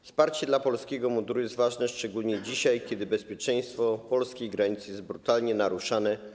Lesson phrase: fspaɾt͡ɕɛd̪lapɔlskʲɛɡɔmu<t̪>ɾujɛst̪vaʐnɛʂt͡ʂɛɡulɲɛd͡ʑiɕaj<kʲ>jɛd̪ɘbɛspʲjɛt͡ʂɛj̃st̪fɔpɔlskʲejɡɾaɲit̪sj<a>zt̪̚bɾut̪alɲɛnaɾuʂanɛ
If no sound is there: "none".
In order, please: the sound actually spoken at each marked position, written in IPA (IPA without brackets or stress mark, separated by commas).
d̪, kʲ, ɛ